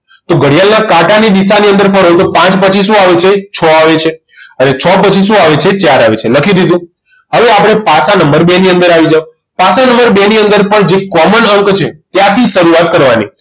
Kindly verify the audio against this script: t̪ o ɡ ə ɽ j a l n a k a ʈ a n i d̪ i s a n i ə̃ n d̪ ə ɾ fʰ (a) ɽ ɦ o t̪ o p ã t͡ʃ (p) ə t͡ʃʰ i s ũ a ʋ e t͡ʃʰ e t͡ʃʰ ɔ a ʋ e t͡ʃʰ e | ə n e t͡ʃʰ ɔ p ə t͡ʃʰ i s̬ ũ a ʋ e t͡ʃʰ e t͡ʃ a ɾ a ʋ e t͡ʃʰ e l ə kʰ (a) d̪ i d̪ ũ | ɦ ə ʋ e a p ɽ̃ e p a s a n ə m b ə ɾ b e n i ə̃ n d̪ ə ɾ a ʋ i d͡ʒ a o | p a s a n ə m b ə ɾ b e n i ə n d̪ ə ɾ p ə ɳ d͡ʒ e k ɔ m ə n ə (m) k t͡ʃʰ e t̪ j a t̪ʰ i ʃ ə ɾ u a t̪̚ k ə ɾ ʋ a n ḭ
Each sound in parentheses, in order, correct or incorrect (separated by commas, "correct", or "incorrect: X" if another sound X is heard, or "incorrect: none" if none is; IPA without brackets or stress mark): incorrect: ə, correct, incorrect: i, incorrect: ŋ